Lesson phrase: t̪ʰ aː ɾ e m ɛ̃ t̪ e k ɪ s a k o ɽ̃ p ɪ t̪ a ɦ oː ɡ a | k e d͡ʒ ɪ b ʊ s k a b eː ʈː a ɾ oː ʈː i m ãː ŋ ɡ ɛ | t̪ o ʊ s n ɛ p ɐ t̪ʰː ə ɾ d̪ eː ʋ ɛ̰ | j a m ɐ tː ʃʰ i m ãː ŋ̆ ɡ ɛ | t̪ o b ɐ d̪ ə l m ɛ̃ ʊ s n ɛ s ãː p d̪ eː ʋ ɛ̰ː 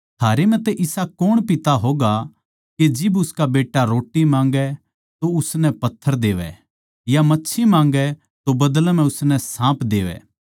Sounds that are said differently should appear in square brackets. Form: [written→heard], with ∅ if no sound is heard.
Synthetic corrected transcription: t̪ʰ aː ɾ e m ɛ̃ t̪ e [k→ʔ] ɪ s a k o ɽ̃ p ɪ t̪ a ɦ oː ɡ a | k e d͡ʒ ɪ b ʊ s k a b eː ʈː a ɾ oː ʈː i m ãː ŋ ɡ ɛ | t̪ o ʊ s n ɛ p ɐ t̪ʰː ə ɾ d̪ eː ʋ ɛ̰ | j a m ɐ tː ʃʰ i m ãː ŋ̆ ɡ ɛ | t̪ o b ɐ d̪ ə l m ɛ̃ ʊ s n ɛ s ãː p d̪ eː ʋ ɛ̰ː